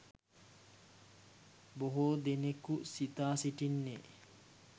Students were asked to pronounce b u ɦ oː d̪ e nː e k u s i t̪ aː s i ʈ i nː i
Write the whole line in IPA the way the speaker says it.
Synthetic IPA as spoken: b o ɦ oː d̪ e n e k u s i t̪ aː s i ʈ i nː e